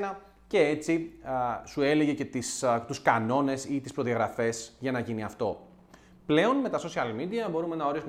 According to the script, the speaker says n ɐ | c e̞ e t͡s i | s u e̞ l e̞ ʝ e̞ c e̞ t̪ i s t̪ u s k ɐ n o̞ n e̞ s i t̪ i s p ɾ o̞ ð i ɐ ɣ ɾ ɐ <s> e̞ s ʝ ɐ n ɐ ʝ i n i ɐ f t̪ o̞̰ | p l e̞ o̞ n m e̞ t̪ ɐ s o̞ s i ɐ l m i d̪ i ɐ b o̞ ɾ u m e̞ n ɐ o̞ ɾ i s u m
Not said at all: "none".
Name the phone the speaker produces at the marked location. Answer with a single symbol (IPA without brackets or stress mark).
f